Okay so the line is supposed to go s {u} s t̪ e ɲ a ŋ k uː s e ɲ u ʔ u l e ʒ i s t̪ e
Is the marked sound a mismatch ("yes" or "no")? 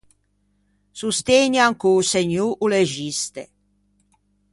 no